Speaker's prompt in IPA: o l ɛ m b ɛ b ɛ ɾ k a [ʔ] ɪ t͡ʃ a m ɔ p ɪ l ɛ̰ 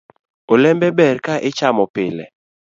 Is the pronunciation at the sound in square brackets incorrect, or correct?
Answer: correct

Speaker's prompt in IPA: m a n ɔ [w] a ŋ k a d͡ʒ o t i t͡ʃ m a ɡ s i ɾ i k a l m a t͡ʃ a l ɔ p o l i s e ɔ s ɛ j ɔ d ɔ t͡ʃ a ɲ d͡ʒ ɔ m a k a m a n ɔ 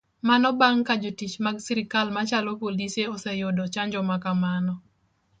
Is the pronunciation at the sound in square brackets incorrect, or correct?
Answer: incorrect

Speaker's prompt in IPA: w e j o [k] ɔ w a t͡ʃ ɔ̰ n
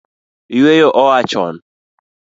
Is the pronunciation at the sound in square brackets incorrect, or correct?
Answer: incorrect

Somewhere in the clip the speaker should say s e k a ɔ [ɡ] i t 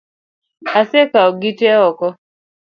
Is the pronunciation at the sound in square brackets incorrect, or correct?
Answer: correct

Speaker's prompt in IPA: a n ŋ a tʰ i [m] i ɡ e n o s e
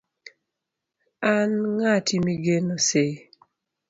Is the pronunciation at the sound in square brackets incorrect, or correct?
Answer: correct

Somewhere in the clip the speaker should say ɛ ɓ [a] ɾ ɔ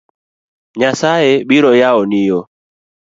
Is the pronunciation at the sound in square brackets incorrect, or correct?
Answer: incorrect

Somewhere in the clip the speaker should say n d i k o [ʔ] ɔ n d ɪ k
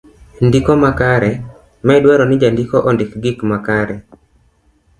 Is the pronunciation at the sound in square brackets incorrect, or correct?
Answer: correct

